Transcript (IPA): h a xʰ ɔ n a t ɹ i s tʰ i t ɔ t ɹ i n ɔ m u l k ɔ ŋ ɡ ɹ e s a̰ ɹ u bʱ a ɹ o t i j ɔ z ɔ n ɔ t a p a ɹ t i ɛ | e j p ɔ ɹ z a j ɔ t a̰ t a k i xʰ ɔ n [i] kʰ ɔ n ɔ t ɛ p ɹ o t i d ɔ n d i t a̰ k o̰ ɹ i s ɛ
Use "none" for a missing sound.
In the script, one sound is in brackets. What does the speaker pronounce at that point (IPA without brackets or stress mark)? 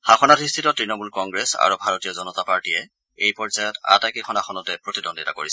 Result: a